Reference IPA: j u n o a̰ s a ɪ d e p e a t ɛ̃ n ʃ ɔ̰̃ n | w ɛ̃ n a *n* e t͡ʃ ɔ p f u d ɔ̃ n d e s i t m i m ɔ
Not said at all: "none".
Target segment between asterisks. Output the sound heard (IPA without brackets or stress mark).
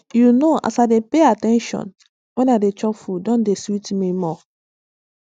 d